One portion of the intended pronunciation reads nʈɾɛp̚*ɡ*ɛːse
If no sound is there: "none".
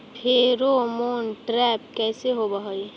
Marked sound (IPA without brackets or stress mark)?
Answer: k